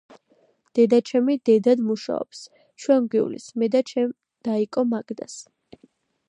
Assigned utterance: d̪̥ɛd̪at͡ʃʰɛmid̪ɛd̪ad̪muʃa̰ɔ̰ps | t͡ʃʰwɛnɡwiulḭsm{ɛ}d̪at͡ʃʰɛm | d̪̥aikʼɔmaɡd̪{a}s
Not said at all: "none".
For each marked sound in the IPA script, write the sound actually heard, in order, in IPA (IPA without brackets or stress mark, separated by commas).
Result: ɛ, a